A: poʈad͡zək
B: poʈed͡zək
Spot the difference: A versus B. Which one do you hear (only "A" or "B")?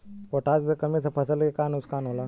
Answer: A